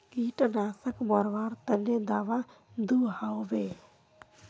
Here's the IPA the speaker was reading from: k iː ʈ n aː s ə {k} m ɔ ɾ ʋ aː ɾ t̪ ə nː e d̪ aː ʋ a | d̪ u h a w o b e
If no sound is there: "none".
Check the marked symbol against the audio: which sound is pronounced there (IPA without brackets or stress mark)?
k